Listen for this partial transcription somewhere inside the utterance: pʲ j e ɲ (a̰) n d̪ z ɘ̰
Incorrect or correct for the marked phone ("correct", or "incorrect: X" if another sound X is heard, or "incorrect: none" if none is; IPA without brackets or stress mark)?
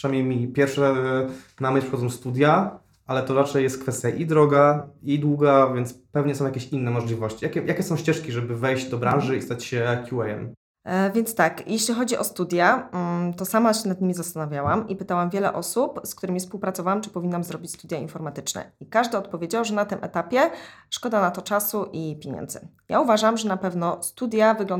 incorrect: ɛ̰